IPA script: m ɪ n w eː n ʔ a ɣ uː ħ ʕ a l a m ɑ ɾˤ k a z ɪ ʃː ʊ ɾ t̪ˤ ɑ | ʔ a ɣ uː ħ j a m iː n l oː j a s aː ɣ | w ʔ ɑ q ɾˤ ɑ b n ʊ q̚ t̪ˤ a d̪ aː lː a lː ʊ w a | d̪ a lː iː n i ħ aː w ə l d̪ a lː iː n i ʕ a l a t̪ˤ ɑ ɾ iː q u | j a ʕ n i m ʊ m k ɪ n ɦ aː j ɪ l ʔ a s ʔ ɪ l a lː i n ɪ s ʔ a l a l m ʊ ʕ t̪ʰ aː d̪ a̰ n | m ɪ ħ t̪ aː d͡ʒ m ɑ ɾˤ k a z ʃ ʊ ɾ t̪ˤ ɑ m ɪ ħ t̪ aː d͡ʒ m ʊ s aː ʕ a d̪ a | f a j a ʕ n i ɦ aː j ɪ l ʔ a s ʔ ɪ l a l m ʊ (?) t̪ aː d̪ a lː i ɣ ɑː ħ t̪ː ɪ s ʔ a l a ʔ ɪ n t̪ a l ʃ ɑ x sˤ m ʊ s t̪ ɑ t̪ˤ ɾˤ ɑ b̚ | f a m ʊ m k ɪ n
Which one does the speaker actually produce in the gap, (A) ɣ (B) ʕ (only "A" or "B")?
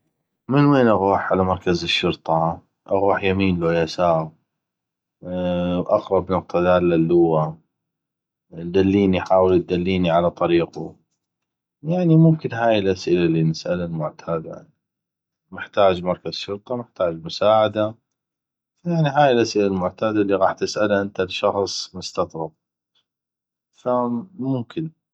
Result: B